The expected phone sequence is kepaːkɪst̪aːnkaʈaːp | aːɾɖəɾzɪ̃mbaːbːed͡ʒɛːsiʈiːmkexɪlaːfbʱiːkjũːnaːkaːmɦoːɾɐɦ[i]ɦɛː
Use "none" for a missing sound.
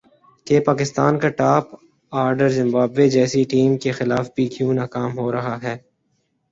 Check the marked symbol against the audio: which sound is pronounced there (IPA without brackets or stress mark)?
a